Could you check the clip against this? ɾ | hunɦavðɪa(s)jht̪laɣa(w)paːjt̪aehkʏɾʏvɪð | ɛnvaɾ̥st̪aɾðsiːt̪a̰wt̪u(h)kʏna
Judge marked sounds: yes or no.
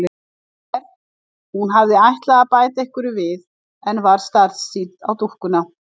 no, no, yes

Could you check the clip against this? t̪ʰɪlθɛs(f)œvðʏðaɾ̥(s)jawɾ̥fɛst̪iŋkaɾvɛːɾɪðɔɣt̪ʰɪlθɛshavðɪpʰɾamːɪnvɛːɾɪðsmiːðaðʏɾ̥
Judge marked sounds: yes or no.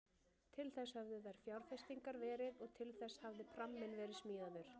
no, no

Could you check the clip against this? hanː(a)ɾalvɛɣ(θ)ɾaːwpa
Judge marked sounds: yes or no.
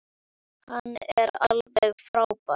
no, no

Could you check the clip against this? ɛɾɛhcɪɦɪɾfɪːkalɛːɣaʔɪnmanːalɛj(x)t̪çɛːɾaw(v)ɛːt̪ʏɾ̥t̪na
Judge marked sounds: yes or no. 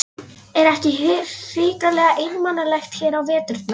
yes, yes

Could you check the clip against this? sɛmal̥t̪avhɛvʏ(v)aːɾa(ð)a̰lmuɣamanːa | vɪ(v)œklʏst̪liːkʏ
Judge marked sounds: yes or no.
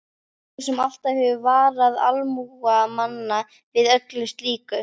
yes, yes, no

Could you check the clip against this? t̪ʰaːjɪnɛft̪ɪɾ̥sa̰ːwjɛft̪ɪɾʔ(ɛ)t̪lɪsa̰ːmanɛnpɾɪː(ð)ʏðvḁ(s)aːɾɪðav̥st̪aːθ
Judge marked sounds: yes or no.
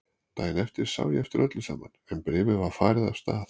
no, no, no

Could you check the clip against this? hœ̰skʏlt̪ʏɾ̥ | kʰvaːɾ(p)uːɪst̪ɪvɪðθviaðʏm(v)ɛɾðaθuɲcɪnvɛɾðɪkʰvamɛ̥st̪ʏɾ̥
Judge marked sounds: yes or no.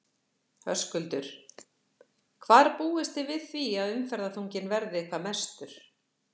yes, no

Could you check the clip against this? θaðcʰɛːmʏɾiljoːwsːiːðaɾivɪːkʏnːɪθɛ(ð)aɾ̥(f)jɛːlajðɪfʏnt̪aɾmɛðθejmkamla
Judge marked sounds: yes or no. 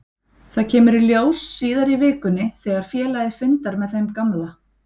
no, yes

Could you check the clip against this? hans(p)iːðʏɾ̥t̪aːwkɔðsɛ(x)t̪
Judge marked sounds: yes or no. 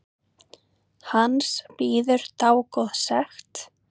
yes, yes

